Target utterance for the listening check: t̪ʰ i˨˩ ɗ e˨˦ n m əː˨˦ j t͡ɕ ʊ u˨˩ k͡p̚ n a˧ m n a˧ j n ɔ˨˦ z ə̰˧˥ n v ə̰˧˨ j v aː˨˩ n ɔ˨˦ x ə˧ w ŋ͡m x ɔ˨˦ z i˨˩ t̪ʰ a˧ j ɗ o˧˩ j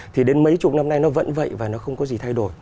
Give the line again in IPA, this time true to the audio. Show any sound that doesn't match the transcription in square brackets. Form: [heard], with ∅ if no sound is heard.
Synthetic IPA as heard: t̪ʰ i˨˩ ɗ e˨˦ n m [ə˨˦] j t͡ɕ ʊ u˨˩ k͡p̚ n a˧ m n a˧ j n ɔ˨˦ [v] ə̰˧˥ n v ə̰˧˨ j v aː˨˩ n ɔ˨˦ x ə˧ w ŋ͡m [k] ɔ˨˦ z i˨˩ t̪ʰ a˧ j ɗ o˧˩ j